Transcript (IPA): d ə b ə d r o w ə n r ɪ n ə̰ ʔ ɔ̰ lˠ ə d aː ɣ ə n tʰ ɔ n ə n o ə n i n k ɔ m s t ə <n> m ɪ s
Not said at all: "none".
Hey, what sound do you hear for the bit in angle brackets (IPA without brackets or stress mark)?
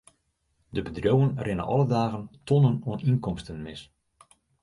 n